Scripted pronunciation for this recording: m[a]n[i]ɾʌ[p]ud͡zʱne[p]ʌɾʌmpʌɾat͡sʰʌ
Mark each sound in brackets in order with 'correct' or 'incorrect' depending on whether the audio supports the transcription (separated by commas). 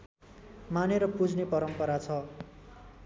correct, incorrect, correct, correct